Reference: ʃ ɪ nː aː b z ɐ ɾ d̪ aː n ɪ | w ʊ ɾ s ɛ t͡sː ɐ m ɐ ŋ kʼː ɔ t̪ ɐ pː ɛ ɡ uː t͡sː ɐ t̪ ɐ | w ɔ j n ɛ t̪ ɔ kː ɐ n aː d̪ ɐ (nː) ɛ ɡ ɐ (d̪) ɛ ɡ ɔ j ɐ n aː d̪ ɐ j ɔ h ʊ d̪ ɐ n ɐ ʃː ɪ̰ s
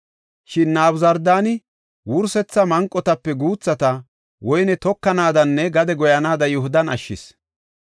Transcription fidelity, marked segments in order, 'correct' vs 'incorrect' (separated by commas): correct, correct